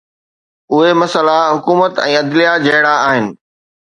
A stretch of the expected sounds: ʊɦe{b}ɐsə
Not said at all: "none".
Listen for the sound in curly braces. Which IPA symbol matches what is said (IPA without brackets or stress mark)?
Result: m